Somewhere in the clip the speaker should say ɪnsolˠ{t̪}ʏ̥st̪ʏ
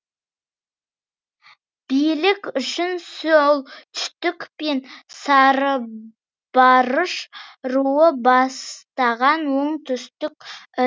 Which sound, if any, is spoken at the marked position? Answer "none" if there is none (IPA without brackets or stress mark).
t̪ʰ